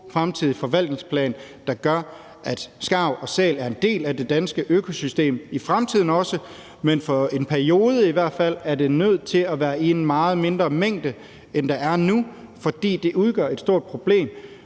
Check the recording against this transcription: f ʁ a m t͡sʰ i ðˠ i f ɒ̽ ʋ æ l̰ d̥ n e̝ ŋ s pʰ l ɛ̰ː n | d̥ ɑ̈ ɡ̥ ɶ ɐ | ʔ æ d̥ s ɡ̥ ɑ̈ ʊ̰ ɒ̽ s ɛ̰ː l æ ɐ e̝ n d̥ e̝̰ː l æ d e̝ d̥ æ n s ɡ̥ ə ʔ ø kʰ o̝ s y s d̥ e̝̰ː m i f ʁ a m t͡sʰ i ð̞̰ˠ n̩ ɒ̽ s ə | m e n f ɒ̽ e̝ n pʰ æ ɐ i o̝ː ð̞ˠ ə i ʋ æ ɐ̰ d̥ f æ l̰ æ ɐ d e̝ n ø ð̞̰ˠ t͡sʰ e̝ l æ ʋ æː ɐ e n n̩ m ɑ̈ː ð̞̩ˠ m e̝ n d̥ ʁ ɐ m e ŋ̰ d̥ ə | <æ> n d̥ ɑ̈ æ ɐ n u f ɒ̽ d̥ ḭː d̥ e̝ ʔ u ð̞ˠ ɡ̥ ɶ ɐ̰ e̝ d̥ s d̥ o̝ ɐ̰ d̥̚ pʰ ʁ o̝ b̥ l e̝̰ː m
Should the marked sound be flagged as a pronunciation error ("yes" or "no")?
yes